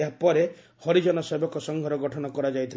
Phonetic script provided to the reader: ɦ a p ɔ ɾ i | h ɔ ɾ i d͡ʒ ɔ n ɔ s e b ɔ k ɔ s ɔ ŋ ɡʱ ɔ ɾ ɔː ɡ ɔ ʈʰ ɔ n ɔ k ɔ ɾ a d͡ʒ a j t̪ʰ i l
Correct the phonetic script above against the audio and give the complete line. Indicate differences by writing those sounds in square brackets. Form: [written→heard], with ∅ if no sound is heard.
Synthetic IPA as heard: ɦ a p ɔ ɾ [i→e] | h ɔ ɾ i d͡ʒ ɔ n ɔ s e b ɔ k ɔ s ɔ ŋ ɡʱ ɔ ɾ [ɔː→ɔ] ɡ ɔ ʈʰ ɔ n ɔ k ɔ ɾ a d͡ʒ a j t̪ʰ i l